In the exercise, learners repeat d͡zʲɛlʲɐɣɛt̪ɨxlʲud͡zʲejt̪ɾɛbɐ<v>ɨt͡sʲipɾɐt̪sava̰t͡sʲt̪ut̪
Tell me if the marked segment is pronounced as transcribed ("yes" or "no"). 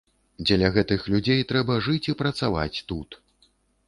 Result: no